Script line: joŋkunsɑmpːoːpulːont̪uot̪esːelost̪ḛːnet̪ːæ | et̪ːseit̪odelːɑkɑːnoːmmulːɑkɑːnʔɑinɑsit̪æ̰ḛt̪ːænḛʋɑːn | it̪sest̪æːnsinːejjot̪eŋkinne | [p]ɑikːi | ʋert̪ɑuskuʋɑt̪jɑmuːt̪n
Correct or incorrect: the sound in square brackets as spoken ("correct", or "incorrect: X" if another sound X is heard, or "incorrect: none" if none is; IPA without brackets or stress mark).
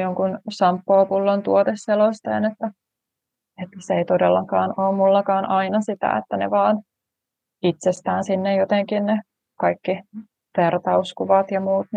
incorrect: k